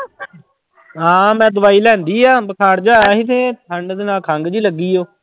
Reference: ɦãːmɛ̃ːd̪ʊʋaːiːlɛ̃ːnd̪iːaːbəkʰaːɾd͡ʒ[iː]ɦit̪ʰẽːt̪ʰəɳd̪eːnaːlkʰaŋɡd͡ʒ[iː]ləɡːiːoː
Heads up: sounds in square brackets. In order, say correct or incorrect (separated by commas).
incorrect, correct